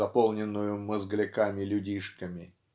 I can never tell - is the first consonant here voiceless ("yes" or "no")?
yes